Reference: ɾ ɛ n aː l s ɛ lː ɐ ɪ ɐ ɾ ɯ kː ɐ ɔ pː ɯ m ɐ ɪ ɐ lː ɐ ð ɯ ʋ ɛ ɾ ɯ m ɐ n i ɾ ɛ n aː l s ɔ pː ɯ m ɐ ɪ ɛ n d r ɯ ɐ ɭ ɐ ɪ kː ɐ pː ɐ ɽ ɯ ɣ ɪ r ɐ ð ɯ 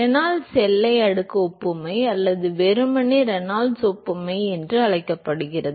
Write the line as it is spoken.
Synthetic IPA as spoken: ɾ ɛ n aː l s ɛ lː ɐ ɪ ɐ ɽ ɯ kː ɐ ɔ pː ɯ m ɐ ɪ ɐ lː ɐ ð ɯ ʋ ɛ ɾ ɯ m ɐ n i ɾ ɛ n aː l s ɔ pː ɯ m ɐ ɪ ɛ n d r ɯ ɐ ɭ ɐ ɪ kː ɐ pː ɐ ɽ ɯ ɣ ɪ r ɐ ð ɯ

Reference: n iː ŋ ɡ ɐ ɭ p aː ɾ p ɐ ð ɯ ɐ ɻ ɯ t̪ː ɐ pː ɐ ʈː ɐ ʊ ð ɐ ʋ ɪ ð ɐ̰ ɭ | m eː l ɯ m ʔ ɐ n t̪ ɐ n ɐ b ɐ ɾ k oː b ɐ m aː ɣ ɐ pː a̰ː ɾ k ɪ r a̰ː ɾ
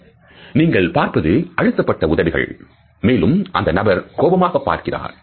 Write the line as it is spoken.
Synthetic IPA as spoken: n iː ŋ ɡ ɐ ɭ p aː ɾ p ɐ ð ɯ ɐ ɻ ɯ t̪ː ɐ pː ɐ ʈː ɐ ʊ ð ɐ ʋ ɪ ɣ ɐ̰ ɭ | m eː l ɯ m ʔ ɐ n d̪ ɐ n ɐ b ɐ ɾ k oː b ɐ m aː ɣ ɐ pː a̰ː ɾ k ɪ r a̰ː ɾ

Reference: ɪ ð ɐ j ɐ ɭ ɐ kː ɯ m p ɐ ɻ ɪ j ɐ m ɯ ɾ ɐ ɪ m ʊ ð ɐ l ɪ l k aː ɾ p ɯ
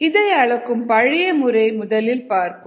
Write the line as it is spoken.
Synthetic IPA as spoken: ɪ ð ɐ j ɐ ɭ ɐ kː ɯ m p ɐ ɻ ɪ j ɐ m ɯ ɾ ɐ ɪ m ʊ ð ɐ l ɪ l p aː ɾ k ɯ

